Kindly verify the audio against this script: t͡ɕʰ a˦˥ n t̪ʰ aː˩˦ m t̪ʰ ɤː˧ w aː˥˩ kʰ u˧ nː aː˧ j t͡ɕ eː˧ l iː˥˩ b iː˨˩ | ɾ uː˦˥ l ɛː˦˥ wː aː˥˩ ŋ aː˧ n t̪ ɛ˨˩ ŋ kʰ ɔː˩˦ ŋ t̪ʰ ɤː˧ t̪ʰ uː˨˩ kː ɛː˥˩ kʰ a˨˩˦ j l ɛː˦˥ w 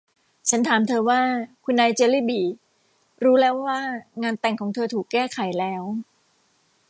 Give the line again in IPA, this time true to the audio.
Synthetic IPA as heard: t͡ɕʰ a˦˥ n t̪ʰ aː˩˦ m t̪ʰ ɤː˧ w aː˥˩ kʰ u˧ nː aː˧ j t͡ɕ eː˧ l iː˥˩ b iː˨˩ | ɾ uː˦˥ l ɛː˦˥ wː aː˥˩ ŋ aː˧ n t̪ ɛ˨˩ ŋ kʰ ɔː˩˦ ŋ t̪ʰ ɤː˧ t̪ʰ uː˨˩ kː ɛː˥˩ kʰ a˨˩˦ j l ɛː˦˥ w